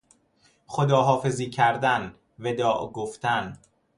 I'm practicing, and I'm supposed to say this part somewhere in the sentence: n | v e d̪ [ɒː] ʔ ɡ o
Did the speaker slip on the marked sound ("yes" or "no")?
no